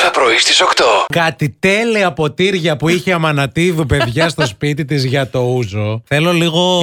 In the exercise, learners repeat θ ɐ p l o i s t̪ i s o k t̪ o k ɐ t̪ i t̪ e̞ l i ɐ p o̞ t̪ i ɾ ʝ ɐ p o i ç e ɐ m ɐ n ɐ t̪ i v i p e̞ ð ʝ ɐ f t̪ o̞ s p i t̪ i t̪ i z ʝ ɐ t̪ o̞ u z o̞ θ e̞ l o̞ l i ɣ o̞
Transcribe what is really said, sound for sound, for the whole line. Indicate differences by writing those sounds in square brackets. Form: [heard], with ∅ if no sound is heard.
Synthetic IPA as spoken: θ ɐ p [ɾ] o i s t̪ i s o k t̪ o k ɐ t̪ i t̪ e̞ l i ɐ p o̞ t̪ i ɾ ʝ ɐ p [u] i ç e ɐ m ɐ n ɐ t̪ i v i p e̞ ð ʝ ɐ [s] t̪ o̞ s p i t̪ i t̪ i z ʝ ɐ t̪ o̞ u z o̞ θ e̞ l o̞ l i ɣ o̞